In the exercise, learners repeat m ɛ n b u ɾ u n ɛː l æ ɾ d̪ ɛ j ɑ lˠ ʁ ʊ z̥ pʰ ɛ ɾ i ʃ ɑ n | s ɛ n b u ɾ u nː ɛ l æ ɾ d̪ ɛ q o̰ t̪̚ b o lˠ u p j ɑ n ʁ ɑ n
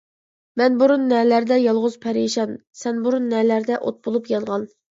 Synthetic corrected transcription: m ɛ n b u ɾ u nː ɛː l æ ɾ d̪ ɛ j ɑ lˠ ʁ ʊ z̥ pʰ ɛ ɾ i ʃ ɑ n | s ɛ n b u ɾ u nː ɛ l æ ɾ d̪ ɛ ʔ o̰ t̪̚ b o lˠ u p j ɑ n ʁ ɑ n